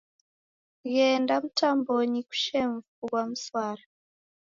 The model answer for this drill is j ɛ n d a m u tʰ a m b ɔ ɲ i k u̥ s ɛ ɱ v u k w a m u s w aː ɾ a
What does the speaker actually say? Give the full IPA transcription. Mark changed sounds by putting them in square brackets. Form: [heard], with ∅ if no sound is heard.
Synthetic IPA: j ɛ n d a m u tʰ a m b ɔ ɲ i k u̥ [ʃ] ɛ ɱ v u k w a m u s w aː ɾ a